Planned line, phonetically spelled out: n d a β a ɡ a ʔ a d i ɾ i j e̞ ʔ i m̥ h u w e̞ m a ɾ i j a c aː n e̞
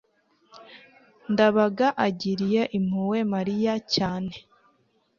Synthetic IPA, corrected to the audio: n d a β a ɡ a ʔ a ɟ i ɾ i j e̞ ʔ i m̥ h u w e̞ m a ɾ i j a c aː n e̞